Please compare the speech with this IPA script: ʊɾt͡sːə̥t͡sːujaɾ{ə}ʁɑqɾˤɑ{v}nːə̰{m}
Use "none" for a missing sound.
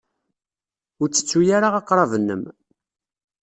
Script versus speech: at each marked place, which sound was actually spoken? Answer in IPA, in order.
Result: a, v, m

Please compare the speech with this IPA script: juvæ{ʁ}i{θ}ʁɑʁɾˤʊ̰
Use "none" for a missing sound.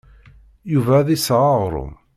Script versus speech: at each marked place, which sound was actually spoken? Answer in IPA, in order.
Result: ð, s

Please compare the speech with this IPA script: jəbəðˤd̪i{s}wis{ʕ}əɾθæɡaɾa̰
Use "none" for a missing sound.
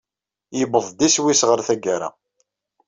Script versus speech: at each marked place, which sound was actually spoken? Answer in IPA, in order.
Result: s, ʁ

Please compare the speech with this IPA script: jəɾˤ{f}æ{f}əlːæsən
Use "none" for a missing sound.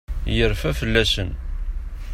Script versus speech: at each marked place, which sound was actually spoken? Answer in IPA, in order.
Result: f, f

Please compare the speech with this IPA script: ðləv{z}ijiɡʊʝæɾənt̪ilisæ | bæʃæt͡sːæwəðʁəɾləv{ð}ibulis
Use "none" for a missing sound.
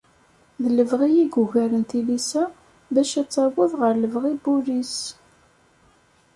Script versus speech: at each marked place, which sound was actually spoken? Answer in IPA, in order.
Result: ʁ, ʁ

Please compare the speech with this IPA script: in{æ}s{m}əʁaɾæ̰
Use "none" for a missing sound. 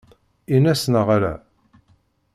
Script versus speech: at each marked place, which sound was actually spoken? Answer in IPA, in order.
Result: æ, n

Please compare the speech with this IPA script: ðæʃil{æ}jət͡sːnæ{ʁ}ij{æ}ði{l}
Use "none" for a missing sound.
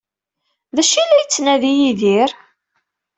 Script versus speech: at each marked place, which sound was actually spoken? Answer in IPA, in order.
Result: æ, ð, i, ɾ

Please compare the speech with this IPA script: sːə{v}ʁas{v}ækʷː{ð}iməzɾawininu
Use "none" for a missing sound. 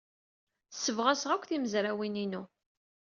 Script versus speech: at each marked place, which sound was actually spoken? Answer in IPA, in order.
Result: v, ʁ, θ

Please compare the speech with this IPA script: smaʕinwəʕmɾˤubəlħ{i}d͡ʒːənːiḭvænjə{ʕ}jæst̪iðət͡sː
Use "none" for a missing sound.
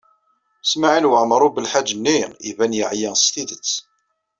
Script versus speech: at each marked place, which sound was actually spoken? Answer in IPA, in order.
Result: a, ʕ

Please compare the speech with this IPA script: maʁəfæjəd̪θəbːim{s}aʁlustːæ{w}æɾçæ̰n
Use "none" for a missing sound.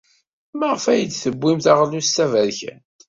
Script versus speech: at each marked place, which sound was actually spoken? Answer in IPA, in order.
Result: θ, v

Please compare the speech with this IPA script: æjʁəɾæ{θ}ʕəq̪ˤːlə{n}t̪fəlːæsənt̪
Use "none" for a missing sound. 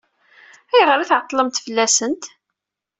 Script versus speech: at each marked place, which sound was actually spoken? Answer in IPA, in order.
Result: θ, m

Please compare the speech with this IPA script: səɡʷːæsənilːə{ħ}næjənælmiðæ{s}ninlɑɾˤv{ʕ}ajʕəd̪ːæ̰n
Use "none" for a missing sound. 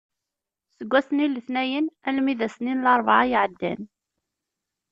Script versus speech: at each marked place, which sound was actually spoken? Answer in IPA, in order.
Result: θ, s, ʕ

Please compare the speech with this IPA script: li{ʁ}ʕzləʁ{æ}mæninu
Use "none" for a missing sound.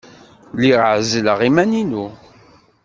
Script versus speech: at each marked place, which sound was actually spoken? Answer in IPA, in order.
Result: ʁ, i

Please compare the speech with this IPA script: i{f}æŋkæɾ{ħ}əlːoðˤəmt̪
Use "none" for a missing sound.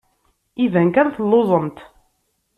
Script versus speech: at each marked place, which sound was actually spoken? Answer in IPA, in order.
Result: v, θ

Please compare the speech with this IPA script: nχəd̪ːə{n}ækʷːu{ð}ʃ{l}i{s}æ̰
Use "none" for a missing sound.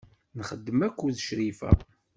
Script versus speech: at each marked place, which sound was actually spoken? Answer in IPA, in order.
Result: m, ð, ɾ, f

